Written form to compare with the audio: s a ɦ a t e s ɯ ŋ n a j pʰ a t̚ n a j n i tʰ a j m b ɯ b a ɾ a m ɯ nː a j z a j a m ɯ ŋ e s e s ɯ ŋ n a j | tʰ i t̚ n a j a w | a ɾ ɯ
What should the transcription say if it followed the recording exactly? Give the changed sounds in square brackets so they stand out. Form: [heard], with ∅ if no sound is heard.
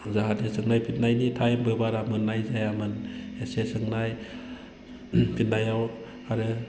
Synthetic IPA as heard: [z] a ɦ a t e s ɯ ŋ n a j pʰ [i] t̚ n a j n i tʰ a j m b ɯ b a ɾ a m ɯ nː a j z a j a m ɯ [n] e s e s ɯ ŋ n a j | [pʰ] i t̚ n a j a w | a ɾ ɯ